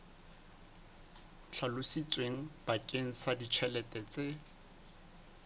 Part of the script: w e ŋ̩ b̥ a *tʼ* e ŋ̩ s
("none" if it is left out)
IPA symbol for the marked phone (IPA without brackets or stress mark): kʼ